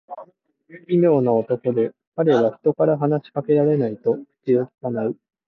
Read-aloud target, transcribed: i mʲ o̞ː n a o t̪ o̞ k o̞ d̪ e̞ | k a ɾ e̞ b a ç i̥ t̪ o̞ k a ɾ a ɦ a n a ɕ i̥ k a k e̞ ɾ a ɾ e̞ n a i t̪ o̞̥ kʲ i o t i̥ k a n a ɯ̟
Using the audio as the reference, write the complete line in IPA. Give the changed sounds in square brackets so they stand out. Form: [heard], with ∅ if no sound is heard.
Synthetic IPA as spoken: i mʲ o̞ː n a o t̪ o̞ k o̞ d̪ e̞ | k a ɾ e̞ [β] a ç i̥ t̪ o̞ k a ɾ a ɦ a n a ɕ i̥ k a k e̞ ɾ a ɾ e̞ n a i t̪ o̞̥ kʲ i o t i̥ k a n a ɯ̟